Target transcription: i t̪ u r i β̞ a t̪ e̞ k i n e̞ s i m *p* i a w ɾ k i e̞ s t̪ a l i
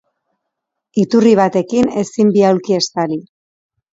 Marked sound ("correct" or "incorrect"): incorrect